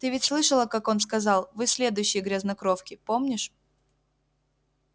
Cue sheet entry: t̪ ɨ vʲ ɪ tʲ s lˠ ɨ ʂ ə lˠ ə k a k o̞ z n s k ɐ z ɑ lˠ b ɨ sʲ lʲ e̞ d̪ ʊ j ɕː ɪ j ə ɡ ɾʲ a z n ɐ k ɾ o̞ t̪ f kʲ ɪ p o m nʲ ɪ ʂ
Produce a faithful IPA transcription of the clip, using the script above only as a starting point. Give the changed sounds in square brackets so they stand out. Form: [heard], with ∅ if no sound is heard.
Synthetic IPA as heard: t̪ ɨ vʲ ɪ tʲ s lˠ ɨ ʂ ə lˠ ə k a k o̞ [∅] n s k ɐ z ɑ lˠ [v] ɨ sʲ lʲ e̞ d̪ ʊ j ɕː ɪ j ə ɡ ɾʲ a z n ɐ k ɾ o̞ [∅] f kʲ ɪ p o m nʲ ɪ ʂ